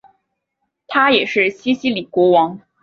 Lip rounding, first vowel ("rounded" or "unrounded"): unrounded